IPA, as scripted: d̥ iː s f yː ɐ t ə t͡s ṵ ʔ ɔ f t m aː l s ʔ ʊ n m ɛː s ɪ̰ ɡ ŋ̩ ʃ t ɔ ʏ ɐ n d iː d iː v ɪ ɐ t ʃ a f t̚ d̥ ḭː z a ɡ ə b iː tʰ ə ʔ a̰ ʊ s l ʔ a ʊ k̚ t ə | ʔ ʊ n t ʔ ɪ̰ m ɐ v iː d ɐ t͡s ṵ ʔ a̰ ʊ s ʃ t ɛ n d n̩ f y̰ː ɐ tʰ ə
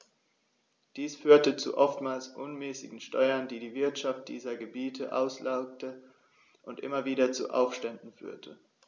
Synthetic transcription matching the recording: d̥ iː s f yː ɐ t ə t͡s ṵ ʔ ɔ f t m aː l s ʔ ʊ n m ɛː s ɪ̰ ɡ ŋ̩ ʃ t ɔ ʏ ɐ n d iː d iː v ɪ ɐ t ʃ a f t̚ d̥ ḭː z ɐ ɡ ə b iː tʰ ə ʔ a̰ ʊ s l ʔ a ʊ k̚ t ə | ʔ ʊ n t ʔ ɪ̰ m ɐ v iː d ɐ t͡s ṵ ʔ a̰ ʊ f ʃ t ɛ n d n̩ f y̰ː ɐ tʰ ə

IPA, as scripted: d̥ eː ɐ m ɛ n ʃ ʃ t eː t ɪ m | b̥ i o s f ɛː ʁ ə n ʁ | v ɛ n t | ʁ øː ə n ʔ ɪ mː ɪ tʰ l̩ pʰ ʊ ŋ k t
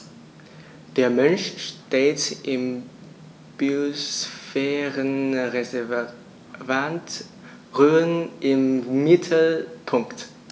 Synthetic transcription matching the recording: d̥ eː ɐ m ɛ n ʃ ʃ t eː t ɪ m | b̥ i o s f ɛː ʁ ə n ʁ | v a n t | ʁ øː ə n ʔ ɪ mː ɪ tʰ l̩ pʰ ʊ ŋ k t

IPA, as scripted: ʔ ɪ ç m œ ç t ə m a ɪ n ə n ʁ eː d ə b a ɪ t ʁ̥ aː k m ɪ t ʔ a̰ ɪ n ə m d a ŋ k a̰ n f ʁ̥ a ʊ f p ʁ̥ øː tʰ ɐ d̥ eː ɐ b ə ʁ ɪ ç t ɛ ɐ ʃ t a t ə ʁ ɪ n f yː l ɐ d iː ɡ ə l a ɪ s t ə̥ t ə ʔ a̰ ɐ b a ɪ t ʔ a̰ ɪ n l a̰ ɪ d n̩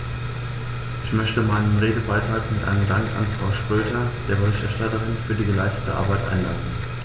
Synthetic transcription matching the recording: ʔ ɪ ç m œ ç t ə m a ɪ n ə n ʁ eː d ə b a ɪ t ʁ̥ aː k m ɪ t ʔ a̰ ɪ n ə m d a ŋ k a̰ n f ʁ̥ a ʊ ʃ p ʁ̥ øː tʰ ɐ d̥ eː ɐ b ə ʁ ɪ ç t ɛ ɐ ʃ t a t ə ʁ ɪ n f yː ɐ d iː ɡ ə l a ɪ s t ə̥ t ə ʔ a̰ ɐ b a ɪ t ʔ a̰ ɪ n l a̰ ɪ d n̩

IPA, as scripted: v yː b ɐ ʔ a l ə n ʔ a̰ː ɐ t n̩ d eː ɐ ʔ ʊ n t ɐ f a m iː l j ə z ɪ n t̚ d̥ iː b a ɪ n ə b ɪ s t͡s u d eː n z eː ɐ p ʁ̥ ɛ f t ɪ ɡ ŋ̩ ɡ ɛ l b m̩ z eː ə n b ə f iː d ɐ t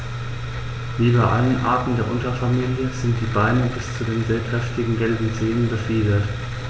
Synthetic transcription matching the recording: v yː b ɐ ʔ a l ə n ʔ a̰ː ɐ t n̩ d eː ɐ ʔ ʊ n t ɐ f a m iː l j ə z ɪ n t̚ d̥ iː b a ɪ n ə b ɪ s t͡s u d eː n z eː ɐ k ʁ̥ ɛ f t ɪ ɡ ŋ̩ ɡ ɛ l b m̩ z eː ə n b ə f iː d ɐ t

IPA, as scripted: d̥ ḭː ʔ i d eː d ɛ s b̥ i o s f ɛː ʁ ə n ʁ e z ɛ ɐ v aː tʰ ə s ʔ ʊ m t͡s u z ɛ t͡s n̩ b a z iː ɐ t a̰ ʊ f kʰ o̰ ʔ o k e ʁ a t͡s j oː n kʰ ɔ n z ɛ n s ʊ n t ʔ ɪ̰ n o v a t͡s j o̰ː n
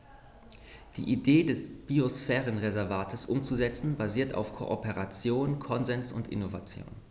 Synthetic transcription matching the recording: d̥ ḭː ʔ i d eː d ɛ s b̥ i o s f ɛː ʁ ə n ʁ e z ɛ ɐ v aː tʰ ə s ʔ ʊ m t͡s u z ɛ t͡s n̩ b a z iː ɐ t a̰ ʊ f kʰ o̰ ʔ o p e ʁ a t͡s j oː n kʰ ɔ n z ɛ n s ʊ n t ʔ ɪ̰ n o v a t͡s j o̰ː n

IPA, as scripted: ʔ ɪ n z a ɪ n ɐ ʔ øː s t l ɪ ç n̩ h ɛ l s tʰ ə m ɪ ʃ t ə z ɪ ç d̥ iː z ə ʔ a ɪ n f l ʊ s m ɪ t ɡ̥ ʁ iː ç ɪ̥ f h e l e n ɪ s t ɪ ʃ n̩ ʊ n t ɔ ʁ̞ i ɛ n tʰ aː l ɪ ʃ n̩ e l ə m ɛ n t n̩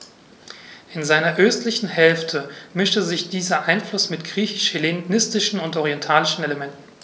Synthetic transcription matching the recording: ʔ ɪ n z a ɪ n ɐ ʔ øː s t l ɪ ç n̩ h ɛ l f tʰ ə m ɪ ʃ t ə z ɪ ç d̥ iː z ɐ ʔ a ɪ n f l ʊ s m ɪ t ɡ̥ ʁ iː ç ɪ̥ ʃ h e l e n ɪ s t ɪ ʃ n̩ ʊ n t ɔ ʁ̞ i ɛ n tʰ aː l ɪ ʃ n̩ e l ə m ɛ n t n̩

